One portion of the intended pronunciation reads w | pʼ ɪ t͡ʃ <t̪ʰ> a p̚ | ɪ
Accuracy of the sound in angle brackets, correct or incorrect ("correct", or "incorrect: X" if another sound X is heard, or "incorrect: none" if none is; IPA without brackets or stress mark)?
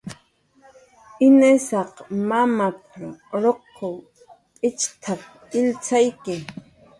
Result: correct